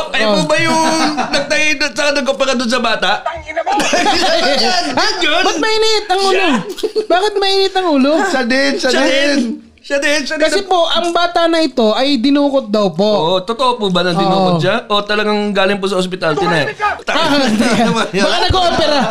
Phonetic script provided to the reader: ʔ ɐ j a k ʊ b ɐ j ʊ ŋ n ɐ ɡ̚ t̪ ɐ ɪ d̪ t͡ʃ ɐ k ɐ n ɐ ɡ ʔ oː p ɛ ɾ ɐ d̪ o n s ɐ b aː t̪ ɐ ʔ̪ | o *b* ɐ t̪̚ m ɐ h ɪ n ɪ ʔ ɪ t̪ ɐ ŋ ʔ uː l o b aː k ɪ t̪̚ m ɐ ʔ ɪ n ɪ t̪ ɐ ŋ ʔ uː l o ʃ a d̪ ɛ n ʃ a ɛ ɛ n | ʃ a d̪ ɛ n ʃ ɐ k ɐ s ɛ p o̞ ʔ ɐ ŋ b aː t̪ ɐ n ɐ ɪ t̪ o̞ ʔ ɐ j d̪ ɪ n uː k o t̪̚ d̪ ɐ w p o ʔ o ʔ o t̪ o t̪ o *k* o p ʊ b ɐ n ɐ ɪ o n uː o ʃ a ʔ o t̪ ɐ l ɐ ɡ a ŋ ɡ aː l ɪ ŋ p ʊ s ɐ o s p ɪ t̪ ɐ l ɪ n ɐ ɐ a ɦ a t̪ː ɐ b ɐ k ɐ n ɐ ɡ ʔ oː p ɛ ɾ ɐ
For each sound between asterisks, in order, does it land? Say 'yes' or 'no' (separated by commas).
yes, no